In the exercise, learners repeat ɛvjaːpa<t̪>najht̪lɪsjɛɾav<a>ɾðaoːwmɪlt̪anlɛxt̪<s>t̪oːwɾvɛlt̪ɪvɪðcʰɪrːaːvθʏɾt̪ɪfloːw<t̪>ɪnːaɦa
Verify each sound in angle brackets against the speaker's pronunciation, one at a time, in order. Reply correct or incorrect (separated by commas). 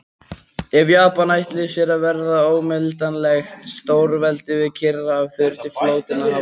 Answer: incorrect, incorrect, correct, correct